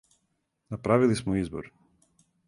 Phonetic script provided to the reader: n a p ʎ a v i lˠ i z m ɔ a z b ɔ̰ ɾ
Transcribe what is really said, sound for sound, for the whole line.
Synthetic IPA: n a p ɾ a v i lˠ i s m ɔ i z b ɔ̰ ɾ